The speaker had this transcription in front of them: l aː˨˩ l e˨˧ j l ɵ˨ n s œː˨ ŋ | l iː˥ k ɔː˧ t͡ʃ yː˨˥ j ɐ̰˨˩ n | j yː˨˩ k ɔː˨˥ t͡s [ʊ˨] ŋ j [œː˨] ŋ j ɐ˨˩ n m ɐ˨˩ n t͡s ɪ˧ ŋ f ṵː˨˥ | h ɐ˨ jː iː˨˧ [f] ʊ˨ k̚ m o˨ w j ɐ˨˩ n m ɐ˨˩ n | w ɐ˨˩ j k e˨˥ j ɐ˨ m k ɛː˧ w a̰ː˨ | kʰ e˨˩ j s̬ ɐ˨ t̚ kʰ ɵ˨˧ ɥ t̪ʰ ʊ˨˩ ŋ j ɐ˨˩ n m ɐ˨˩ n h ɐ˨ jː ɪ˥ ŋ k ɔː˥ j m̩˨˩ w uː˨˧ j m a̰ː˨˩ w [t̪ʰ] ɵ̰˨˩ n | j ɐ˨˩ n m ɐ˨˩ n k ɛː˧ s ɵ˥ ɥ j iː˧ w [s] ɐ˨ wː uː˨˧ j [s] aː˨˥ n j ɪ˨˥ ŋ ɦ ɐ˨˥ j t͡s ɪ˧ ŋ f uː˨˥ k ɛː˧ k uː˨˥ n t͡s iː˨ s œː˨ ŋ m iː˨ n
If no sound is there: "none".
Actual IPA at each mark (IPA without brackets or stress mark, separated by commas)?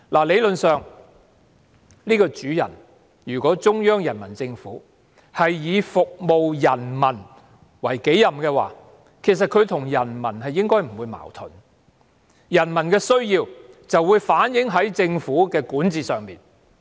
ʊ˥, œː˥, f, t̪ʰ, t͡s, f